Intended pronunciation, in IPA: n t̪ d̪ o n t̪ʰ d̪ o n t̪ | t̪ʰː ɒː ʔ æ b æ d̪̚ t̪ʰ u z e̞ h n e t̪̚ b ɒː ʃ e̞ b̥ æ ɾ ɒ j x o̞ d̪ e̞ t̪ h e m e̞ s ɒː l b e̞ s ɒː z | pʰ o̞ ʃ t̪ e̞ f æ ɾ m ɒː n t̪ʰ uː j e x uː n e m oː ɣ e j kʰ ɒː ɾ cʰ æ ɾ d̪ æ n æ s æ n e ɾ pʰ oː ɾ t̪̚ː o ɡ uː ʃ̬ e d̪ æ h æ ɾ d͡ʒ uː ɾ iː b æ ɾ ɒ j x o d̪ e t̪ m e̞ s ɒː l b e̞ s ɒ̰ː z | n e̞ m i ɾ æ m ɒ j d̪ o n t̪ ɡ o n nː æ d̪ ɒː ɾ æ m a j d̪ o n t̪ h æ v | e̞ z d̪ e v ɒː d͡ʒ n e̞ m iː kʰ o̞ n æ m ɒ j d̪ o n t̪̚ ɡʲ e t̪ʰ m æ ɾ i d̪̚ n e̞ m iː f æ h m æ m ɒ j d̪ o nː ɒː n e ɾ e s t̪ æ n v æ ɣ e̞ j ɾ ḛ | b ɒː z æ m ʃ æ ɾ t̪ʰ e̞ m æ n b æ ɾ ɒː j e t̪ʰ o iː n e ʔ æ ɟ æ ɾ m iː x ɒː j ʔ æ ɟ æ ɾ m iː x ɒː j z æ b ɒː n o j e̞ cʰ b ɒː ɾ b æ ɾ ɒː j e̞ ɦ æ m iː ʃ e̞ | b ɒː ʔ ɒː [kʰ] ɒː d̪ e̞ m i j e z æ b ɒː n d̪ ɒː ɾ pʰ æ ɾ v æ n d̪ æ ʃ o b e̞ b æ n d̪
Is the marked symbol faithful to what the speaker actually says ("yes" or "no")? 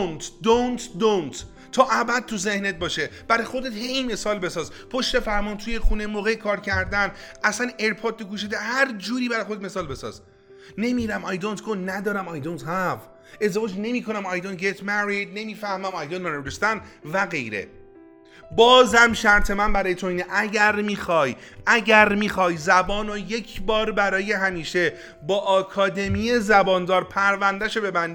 yes